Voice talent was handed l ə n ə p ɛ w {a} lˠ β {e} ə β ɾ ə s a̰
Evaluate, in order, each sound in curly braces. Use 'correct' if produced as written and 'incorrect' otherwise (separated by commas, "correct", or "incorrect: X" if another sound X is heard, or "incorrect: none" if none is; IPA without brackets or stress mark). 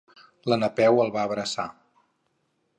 incorrect: ə, incorrect: a